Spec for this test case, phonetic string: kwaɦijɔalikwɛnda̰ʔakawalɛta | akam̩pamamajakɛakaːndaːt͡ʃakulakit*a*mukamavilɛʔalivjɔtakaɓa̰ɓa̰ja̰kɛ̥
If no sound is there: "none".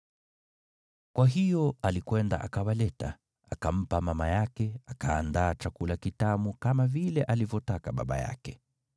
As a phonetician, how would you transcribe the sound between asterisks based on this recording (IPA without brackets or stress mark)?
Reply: a